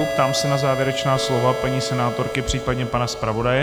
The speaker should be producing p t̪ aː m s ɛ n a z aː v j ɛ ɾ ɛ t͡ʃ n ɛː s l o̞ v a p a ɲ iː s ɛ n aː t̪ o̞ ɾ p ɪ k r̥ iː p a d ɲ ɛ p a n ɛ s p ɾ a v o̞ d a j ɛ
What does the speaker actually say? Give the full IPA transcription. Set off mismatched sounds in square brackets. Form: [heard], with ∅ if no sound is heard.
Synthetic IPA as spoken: p t̪ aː m s ɛ n a z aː v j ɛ ɾ ɛ t͡ʃ n [aː] s l o̞ v a p a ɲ iː s ɛ n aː t̪ o̞ ɾ [k] ɪ [p] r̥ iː p a d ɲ ɛ p a n [a] s p ɾ a v o̞ d a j ɛ